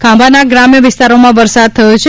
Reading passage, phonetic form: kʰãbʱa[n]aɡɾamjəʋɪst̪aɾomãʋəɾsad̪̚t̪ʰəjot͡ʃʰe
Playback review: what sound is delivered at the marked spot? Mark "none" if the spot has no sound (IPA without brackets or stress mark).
n